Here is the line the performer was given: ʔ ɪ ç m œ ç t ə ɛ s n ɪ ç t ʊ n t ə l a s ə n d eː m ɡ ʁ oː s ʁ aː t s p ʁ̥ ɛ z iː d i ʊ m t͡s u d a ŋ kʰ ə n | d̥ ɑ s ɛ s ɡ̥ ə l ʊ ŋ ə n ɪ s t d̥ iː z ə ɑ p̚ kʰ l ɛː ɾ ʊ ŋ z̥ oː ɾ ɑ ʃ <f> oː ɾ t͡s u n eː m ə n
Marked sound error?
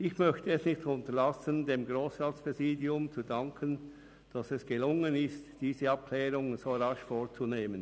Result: no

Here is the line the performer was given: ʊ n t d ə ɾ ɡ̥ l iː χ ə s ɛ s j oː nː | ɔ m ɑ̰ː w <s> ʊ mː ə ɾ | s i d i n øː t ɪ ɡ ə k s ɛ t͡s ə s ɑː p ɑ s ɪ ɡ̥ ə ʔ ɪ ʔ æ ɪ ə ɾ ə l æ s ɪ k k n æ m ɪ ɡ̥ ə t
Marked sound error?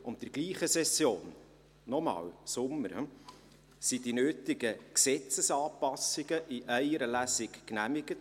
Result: no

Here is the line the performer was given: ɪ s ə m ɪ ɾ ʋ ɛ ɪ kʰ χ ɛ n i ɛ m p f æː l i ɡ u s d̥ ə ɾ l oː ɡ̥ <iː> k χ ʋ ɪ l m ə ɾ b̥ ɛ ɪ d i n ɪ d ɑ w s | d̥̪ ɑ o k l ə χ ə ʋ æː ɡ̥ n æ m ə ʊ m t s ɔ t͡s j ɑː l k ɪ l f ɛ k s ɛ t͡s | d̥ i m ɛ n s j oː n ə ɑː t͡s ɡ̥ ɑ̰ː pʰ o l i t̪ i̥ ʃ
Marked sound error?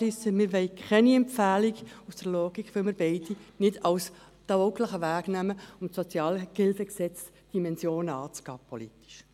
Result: yes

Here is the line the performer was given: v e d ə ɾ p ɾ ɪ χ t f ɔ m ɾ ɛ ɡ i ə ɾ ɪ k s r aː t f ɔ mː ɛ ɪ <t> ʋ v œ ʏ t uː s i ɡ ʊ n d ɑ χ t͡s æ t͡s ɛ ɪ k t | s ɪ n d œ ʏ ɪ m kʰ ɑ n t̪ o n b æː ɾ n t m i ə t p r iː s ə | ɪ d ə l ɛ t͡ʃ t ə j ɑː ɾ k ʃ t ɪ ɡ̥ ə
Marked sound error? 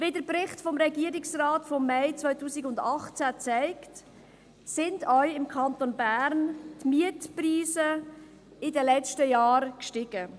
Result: yes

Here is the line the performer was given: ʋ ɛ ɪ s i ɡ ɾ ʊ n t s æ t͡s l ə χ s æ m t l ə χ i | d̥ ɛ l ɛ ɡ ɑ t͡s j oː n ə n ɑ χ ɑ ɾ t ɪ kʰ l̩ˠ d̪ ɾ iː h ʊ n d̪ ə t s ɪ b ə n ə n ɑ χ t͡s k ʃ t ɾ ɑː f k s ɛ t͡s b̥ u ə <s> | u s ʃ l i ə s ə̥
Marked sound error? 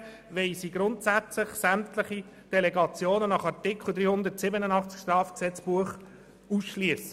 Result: yes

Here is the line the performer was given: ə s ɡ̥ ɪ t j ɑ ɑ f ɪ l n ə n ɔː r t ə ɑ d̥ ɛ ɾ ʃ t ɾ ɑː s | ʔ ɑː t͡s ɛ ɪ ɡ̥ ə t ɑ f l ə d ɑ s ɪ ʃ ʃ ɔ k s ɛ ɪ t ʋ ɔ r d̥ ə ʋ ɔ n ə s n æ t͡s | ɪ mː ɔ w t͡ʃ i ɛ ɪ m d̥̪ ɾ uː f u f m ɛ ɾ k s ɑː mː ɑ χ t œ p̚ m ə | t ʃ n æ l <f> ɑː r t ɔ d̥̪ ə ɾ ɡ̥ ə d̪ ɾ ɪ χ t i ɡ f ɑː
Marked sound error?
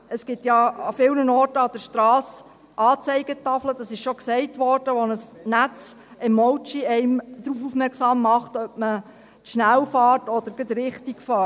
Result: no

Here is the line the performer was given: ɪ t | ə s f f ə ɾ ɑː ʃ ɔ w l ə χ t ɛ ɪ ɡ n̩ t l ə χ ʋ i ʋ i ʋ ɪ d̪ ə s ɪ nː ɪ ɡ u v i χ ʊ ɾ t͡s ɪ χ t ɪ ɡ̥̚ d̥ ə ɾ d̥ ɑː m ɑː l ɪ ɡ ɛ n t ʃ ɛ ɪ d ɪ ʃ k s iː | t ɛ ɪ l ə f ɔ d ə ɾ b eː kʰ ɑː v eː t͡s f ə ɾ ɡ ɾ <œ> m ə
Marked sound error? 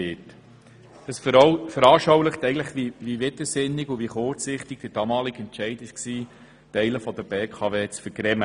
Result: yes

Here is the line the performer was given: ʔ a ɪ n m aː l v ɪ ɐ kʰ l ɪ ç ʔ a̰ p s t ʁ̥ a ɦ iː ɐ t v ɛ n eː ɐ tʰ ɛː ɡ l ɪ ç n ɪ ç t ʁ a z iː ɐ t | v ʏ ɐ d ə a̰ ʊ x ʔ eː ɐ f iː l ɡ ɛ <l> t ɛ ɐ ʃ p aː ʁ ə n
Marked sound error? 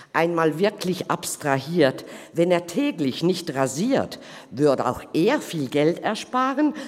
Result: no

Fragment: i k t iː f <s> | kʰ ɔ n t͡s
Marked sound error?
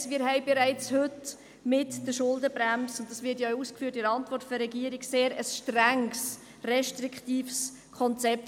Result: no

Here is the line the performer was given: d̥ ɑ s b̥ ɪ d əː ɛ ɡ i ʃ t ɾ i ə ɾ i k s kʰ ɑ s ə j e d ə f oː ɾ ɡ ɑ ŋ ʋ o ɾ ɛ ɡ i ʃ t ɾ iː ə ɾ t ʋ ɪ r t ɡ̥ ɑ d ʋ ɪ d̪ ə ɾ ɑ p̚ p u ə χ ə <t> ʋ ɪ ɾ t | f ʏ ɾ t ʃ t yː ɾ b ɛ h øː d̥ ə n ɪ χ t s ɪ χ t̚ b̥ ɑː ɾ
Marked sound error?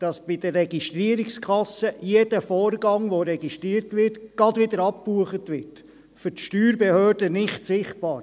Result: no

